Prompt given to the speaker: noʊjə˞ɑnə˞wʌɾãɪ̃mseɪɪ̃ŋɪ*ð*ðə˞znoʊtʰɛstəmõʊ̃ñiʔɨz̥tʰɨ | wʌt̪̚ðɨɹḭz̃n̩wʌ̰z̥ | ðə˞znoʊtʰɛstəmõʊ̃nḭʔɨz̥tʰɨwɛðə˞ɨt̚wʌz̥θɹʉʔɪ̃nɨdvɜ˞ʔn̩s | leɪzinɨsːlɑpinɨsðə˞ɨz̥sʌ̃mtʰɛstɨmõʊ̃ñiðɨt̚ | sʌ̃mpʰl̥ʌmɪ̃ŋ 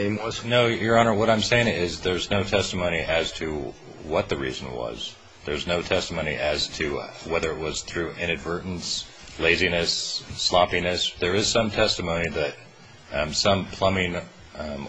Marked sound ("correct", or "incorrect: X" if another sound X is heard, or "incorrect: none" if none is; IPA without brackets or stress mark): incorrect: z